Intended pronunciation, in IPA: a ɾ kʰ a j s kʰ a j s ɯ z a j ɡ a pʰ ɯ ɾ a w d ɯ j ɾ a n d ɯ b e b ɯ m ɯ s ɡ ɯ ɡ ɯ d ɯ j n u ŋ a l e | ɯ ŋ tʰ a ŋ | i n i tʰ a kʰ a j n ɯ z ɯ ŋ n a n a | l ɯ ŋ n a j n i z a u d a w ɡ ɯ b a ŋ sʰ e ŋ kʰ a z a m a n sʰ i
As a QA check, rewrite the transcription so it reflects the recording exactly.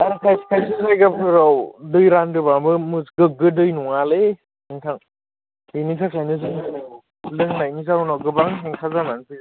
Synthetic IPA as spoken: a ɾ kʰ a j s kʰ a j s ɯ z a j ɡ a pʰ ɯ ɾ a w d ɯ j ɾ a n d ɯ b a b ɯ m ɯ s ɡ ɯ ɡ ɯ d ɯ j n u ŋ a l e | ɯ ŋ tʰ a ŋ | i n i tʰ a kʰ a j n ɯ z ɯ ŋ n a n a | l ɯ ŋ n a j n i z a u n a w ɡ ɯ b a ŋ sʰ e ŋ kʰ a z a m a n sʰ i